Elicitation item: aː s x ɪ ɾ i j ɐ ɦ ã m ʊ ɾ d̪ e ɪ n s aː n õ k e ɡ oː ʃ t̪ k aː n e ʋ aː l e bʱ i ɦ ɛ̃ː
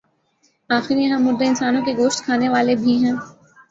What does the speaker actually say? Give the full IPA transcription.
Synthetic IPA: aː x ɪ ɾ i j ɐ ɦ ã m ʊ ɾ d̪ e ɪ n s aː n õ k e ɡ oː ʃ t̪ kʰ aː n e ʋ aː l e bʱ i ɦ ɛ̃ː